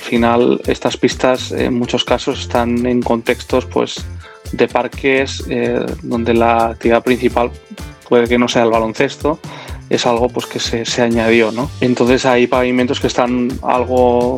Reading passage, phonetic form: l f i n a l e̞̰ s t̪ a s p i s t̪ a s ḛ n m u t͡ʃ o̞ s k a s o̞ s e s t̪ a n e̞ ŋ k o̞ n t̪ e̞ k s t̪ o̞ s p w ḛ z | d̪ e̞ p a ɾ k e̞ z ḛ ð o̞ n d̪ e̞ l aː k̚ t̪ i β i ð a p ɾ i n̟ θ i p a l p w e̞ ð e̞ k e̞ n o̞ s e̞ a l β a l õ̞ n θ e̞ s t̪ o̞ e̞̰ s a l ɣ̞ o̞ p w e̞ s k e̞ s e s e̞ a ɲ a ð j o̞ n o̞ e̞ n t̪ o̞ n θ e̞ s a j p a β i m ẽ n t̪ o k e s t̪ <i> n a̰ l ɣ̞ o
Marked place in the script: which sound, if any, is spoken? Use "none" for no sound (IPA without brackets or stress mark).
a